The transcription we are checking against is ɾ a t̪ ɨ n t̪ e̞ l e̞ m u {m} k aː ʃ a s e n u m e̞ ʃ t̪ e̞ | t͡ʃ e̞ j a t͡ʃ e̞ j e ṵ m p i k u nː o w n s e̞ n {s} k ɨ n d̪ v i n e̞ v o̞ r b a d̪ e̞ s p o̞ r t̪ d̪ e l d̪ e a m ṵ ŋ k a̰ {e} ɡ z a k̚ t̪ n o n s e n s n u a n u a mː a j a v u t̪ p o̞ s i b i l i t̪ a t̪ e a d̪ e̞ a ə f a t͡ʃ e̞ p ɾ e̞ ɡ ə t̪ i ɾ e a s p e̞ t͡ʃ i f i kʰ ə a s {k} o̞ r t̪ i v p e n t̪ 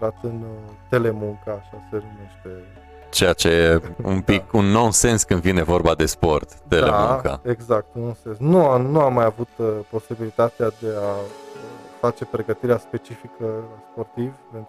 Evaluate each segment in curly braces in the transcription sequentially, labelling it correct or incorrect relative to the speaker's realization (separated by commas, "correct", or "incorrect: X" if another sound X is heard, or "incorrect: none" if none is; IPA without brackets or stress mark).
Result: incorrect: ŋ, correct, correct, incorrect: p